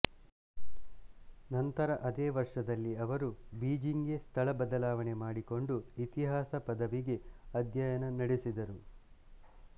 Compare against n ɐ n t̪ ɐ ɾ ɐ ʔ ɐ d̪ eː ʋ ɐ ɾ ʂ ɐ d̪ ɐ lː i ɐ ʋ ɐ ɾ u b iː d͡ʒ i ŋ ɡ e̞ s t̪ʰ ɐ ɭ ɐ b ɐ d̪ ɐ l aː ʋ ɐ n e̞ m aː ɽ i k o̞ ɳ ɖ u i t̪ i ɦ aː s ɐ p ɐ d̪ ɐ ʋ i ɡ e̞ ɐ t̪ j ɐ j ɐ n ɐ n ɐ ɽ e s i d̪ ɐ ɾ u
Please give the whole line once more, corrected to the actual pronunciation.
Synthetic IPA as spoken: n ɐ n t̪ ɐ ɾ ɐ ʔ ɐ d̪ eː ʋ ɐ ɾ ʂ ɐ d̪ ɐ lː i ɐ ʋ ɐ ɾ u b iː d͡ʒ i ŋ ɡ e̞ s t̪ʰ ɐ ɭ ɐ b ɐ d̪ ɐ l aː ʋ ɐ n e̞ m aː ɽ i k o̞ ɳ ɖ u i t̪ i ɦ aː s ɐ p ɐ d̪ ɐ ʋ i ɡ e̞ ɐ d̪ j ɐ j ɐ n ɐ n ɐ ɽ e s i d̪ ɐ ɾ u